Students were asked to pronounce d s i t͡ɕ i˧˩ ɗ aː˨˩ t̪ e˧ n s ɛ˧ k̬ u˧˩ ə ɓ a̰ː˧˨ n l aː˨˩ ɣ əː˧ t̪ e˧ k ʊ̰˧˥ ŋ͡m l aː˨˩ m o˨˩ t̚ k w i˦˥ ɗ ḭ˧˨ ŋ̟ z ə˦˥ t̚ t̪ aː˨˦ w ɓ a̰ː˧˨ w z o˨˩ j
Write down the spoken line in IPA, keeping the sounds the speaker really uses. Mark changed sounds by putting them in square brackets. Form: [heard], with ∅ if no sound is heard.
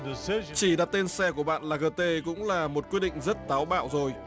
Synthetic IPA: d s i t͡ɕ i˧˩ ɗ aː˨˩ t̪ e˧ n s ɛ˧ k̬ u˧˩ ə ɓ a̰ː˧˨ n l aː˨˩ ɣ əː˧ t̪ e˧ k ʊ̰˧˥ ŋ͡m l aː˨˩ m o˨˩ t̚ k w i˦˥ ɗ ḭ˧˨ ŋ̟ z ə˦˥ t̚ t̪ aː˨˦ w ɓ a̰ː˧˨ w z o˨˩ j

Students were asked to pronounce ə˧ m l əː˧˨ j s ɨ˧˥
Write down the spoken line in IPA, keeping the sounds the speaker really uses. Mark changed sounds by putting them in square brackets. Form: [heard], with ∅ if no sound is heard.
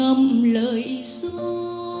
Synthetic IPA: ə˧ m l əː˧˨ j s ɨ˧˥

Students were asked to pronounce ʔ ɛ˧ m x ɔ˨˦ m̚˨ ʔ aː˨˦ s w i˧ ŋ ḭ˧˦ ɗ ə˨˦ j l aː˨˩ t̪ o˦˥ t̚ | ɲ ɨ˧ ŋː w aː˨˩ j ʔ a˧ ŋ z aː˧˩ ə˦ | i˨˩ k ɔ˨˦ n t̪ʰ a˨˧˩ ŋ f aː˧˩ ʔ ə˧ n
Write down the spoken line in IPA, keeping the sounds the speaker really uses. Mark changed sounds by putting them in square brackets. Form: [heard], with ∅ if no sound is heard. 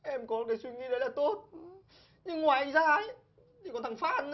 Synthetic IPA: ʔ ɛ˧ m [k] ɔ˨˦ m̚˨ [k] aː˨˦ s w i˧ ŋ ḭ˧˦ ɗ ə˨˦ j l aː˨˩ t̪ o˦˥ t̚ | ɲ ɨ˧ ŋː w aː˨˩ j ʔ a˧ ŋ z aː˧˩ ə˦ | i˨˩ k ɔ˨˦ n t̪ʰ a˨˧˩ ŋ f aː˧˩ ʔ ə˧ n

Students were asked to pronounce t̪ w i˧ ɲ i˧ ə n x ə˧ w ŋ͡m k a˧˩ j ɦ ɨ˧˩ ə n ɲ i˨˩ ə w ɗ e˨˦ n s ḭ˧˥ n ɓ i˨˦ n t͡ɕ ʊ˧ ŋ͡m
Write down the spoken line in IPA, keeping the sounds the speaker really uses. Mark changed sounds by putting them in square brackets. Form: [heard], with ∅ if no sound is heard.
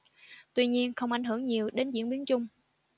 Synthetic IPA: t̪ w i˧ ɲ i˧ ə n x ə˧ w ŋ͡m [ʔ] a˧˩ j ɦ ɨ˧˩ ə [ŋ] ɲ i˨˩ ə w ɗ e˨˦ n [z] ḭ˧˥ n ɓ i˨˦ n t͡ɕ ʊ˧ ŋ͡m

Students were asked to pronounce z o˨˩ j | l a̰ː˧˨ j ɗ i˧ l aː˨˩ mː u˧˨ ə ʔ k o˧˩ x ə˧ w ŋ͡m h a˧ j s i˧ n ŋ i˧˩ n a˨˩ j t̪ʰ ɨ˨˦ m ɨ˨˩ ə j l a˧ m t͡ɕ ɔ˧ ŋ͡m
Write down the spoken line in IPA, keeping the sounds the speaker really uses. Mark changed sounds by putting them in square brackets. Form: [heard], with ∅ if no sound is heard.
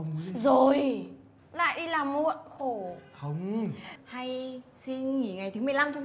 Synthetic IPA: z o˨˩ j | l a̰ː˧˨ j ɗ i˧ l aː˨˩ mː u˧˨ ə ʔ [x] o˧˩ x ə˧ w ŋ͡m h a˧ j s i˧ n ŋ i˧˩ [ŋ] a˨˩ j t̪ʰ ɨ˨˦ m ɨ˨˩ ə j l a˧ m t͡ɕ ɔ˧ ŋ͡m

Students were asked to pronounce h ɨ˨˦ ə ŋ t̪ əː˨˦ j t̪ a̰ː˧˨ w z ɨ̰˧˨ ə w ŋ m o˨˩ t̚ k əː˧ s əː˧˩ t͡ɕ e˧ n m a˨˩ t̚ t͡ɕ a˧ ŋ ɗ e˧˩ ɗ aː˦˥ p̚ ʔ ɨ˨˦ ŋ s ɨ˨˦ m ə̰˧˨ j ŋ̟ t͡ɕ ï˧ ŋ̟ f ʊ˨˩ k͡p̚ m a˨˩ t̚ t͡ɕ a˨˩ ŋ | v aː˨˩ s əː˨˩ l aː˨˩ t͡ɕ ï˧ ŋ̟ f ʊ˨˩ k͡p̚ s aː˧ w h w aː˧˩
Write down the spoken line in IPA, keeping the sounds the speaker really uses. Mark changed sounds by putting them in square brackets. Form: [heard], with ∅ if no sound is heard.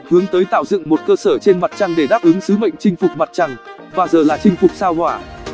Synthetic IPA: h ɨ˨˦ ə ŋ t̪ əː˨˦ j t̪ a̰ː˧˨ w z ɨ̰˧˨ ə [∅] ŋ m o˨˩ t̚ k əː˧ s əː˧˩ t͡ɕ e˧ n m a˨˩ t̚ t͡ɕ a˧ ŋ ɗ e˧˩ ɗ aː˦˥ p̚ ʔ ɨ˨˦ ŋ s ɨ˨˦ m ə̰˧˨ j ŋ̟ t͡ɕ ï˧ ŋ̟ f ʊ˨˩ k͡p̚ m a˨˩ t̚ t͡ɕ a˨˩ ŋ | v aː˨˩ [z] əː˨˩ l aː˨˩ t͡ɕ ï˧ ŋ̟ f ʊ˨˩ k͡p̚ s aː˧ w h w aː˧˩

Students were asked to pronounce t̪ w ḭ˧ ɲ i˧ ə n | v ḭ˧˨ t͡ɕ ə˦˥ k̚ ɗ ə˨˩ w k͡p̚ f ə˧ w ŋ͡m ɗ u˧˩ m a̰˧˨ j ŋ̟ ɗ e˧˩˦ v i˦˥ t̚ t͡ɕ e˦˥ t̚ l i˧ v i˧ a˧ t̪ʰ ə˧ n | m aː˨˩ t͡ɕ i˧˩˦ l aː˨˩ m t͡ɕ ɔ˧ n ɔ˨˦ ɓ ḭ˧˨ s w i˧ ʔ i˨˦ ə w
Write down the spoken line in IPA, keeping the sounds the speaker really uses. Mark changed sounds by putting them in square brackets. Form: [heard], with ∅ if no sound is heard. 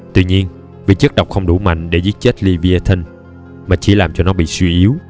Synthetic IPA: t̪ w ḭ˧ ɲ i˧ ə n | v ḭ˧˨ t͡ɕ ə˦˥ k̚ ɗ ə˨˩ w k͡p̚ [x] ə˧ w ŋ͡m ɗ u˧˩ m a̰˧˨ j ŋ̟ ɗ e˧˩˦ [z] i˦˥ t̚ t͡ɕ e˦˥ t̚ l i˧ v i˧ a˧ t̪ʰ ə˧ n | m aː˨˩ t͡ɕ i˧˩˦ l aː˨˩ m t͡ɕ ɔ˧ n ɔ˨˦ ɓ ḭ˧˨ s w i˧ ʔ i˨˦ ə w

